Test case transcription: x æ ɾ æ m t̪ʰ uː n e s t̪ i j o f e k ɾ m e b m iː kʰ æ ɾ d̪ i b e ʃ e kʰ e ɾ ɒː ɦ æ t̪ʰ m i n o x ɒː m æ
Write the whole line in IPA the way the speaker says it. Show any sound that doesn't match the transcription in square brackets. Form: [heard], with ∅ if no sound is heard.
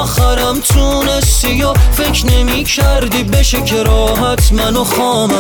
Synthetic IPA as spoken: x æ ɾ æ m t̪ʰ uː n e s t̪ i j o f e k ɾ [n] e [∅] m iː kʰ æ ɾ d̪ i b e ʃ e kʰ e ɾ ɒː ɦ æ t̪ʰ m [æ] n o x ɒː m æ